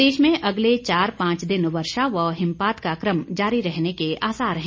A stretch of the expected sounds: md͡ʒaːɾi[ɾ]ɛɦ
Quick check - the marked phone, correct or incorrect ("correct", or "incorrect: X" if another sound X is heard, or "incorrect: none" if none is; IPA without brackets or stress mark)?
correct